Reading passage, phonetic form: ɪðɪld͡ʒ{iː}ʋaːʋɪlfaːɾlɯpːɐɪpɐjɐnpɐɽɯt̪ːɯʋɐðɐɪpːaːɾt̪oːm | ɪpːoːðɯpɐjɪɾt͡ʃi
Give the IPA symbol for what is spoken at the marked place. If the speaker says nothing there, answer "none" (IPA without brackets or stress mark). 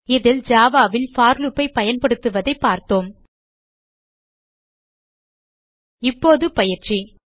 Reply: aː